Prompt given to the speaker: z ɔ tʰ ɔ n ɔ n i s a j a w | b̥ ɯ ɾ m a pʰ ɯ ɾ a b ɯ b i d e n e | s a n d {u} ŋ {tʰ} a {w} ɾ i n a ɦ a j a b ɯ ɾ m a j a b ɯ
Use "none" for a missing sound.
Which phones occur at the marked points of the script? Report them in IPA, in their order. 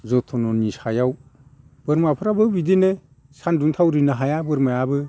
u, tʰ, w

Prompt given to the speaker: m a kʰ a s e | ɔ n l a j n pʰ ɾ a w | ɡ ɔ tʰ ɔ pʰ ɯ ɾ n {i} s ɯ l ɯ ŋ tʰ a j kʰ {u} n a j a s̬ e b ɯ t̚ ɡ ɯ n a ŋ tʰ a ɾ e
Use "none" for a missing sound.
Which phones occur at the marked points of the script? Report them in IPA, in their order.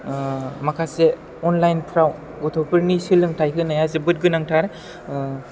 i, ɯ

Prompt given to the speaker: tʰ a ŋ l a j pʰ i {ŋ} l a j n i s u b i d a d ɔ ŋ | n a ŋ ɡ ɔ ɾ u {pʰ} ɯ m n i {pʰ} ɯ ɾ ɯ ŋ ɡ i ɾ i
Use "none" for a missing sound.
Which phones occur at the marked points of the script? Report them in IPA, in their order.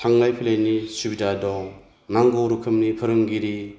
none, kʰ, pʰ

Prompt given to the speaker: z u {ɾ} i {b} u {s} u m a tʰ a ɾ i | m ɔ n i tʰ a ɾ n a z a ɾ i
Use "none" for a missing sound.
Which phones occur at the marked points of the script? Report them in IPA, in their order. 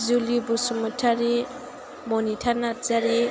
l, b, s

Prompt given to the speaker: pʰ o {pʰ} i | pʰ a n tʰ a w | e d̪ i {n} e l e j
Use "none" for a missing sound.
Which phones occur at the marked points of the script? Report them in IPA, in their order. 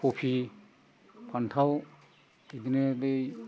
pʰ, n

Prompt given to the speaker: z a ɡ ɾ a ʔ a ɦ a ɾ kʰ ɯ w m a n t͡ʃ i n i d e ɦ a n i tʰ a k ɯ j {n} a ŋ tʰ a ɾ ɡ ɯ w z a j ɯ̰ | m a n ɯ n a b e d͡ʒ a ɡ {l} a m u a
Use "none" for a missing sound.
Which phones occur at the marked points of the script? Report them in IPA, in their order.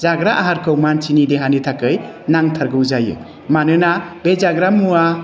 n, ɾ

